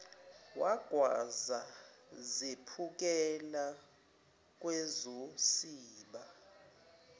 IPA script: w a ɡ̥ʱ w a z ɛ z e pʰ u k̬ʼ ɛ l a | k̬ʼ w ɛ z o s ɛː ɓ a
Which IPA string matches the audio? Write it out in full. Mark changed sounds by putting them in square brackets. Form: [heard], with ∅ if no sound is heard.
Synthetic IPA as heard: w a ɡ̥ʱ w a z [a] z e pʰ u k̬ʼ ɛ l a | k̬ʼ w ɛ z o s [iː] ɓ a

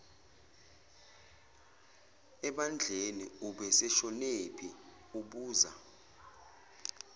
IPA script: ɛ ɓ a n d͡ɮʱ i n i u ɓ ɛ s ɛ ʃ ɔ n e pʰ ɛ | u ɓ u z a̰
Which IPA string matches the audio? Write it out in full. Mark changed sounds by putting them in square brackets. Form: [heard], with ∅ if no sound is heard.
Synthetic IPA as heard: ɛ ɓ a n d͡ɮʱ [e] n i u ɓ ɛ s ɛ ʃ ɔ n e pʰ [i] | u ɓ [uː] z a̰

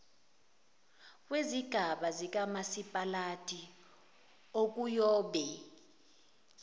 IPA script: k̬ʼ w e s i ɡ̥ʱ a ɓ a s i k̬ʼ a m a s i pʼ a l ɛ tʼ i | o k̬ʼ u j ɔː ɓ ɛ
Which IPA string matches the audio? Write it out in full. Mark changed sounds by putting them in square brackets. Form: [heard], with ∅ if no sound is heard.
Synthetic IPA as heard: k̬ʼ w e [z] i ɡ̥ʱ a ɓ a [z] i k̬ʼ a m a s i pʼ a l [a] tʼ i | o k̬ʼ u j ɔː ɓ ɛ

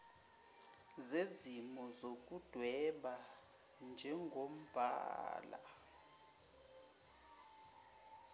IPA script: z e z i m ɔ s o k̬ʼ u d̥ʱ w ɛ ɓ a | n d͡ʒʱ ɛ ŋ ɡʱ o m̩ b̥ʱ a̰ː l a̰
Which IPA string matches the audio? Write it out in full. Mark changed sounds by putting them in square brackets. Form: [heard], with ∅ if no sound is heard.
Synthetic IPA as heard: z e z i m ɔ [z] o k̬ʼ u d̥ʱ w ɛ ɓ a | n d͡ʒʱ ɛ ŋ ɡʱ o m̩ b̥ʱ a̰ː l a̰

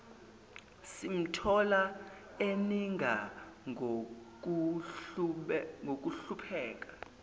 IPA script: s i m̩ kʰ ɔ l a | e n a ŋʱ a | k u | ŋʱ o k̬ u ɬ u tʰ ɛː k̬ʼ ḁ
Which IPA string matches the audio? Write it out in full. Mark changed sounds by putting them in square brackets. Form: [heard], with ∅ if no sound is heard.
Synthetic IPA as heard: s i m̩ [tʰ] ɔ l a | e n [i] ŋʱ a | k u | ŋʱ o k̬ u ɬ u [pʰ] ɛː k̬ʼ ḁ

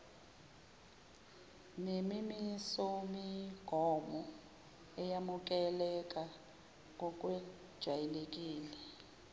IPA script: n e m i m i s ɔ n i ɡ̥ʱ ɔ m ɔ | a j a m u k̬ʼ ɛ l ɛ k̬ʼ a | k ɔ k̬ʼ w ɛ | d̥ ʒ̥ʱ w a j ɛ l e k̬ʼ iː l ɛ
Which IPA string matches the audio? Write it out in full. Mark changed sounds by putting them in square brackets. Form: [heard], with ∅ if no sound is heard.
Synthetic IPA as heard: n e m i m i s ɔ [m] i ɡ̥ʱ ɔ m ɔ | [ɛ] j a m u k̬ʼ ɛ l ɛ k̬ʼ a | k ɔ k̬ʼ w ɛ | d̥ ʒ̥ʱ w a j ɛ l e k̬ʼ iː l ɛ

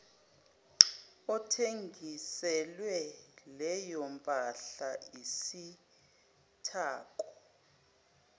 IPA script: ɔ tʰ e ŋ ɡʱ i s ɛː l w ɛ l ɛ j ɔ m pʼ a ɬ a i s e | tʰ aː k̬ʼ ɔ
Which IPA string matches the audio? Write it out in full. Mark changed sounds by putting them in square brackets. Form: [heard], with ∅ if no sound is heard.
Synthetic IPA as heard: ɔ tʰ e ŋ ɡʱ i s [ɛ] l w ɛ l ɛ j ɔ m pʼ a ɬ a i s [i] | tʰ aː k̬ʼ ɔ

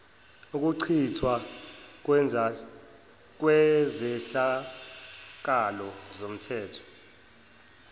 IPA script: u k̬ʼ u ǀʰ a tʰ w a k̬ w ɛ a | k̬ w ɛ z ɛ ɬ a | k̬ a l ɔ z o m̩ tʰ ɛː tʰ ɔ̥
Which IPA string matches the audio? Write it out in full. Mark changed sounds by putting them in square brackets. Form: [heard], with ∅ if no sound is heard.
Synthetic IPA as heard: u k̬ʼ u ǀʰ [i] tʰ w a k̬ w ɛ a | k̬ w ɛ z ɛ ɬ a | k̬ a l ɔ z o m̩ tʰ ɛː tʰ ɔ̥

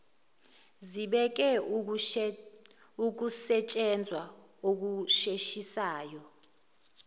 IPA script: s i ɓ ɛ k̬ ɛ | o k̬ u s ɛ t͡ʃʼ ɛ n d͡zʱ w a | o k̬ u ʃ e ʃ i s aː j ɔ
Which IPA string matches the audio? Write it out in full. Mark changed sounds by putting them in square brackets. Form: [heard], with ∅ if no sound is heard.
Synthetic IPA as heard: [z] i ɓ ɛ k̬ ɛ | [u] k̬ u s ɛ t͡ʃʼ ɛ n d͡zʱ w a | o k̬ u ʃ e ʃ i s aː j ɔ

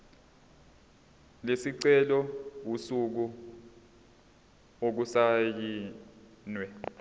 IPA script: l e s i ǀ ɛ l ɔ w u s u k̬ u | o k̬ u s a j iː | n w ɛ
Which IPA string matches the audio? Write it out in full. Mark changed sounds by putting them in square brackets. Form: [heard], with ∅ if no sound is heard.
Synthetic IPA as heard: l e s i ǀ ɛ l ɔ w u s u k̬ u | o k̬ u s a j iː | n w ɛ

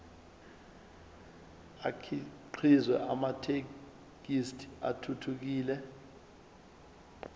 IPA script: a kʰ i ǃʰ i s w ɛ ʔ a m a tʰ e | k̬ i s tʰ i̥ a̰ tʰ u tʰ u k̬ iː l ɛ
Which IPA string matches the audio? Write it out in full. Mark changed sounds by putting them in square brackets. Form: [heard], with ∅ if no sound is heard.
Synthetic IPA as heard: a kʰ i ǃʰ i [z] w ɛ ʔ a m a tʰ e | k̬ i s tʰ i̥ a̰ tʰ u tʰ u k̬ iː l ɛ

